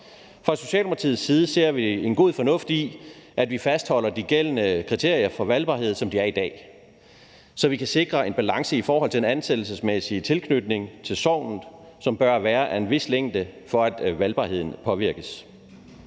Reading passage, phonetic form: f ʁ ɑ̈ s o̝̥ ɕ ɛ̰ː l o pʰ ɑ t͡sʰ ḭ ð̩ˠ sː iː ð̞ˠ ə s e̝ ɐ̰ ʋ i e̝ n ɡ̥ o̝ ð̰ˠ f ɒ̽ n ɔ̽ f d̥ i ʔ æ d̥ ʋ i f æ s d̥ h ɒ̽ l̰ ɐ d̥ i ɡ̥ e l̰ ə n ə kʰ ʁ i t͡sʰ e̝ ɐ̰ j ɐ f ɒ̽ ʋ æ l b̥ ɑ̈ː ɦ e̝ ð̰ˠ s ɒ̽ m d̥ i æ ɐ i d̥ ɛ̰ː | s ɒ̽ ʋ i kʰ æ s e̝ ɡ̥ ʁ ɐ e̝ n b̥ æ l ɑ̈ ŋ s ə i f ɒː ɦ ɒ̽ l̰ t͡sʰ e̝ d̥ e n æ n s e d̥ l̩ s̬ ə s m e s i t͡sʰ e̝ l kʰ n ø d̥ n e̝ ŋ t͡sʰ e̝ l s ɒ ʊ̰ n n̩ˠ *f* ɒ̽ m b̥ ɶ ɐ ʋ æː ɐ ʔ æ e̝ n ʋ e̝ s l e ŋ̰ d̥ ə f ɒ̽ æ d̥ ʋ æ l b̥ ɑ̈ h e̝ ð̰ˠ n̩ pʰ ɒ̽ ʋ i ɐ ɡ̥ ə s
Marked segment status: incorrect: s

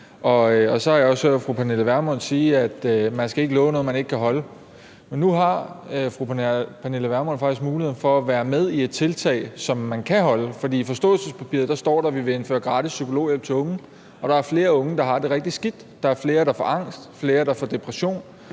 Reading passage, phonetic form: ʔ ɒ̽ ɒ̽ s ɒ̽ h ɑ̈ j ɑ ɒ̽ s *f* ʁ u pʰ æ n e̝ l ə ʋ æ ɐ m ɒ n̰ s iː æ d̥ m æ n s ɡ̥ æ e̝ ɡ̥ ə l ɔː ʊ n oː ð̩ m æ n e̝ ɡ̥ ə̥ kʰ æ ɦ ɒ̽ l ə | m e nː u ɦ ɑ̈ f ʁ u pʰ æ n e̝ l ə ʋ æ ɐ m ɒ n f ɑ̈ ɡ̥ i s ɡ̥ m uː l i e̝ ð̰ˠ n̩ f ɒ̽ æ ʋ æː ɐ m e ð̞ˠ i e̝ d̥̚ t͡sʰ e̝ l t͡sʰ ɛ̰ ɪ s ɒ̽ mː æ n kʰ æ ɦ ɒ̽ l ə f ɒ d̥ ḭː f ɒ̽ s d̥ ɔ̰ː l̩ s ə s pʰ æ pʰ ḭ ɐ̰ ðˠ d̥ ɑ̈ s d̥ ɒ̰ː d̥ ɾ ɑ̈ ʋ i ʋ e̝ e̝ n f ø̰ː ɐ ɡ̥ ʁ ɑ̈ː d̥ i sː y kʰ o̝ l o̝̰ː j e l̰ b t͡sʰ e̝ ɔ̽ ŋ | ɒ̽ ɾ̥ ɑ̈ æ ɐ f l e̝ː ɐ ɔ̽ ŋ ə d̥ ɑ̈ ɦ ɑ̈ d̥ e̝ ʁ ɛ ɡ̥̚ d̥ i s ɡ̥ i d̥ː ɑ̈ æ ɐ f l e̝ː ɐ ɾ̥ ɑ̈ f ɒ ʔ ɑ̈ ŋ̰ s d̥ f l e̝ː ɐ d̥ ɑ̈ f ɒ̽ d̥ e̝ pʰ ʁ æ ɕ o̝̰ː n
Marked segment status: correct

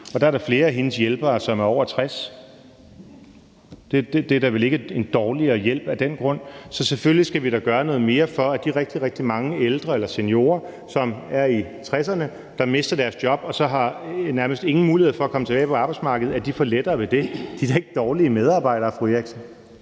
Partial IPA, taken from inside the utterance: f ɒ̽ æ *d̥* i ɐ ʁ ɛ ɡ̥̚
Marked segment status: correct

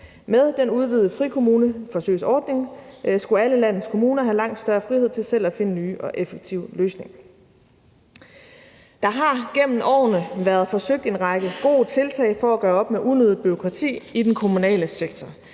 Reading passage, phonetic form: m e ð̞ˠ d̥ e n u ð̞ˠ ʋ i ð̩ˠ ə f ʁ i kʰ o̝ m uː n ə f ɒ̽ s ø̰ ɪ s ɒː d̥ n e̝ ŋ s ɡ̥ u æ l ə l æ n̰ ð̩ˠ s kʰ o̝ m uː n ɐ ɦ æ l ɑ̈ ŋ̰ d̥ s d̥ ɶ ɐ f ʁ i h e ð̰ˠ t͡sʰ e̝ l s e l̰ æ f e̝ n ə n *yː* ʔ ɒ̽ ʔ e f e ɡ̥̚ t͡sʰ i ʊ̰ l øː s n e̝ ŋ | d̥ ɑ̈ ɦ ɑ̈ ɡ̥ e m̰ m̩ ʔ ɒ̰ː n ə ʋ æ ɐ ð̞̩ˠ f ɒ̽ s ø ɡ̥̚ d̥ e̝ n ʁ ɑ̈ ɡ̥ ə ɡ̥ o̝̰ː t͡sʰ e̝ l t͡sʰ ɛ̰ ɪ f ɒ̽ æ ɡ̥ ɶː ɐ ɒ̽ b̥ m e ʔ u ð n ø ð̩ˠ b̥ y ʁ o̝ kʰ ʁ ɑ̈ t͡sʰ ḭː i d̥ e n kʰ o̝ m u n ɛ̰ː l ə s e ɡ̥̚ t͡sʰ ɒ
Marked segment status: correct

